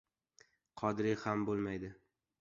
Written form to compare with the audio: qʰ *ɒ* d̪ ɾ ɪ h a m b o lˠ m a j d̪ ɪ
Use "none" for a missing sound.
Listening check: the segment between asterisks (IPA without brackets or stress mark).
ɒ